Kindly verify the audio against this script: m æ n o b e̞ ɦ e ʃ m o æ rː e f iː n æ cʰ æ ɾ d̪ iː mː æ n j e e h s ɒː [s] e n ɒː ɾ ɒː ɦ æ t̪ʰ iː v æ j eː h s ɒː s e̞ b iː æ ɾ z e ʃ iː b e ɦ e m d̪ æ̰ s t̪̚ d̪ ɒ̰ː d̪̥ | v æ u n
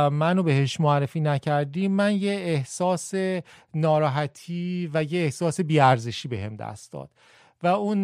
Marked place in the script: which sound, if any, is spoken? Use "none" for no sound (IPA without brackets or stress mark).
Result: s